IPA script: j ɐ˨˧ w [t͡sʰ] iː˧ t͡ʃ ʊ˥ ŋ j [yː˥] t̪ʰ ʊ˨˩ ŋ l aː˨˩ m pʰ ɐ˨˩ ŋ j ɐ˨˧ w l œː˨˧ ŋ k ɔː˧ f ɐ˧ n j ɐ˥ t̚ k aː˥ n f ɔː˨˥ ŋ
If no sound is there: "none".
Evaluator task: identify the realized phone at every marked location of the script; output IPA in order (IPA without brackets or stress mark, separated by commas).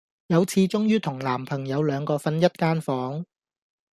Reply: t͡sʰ, yː˥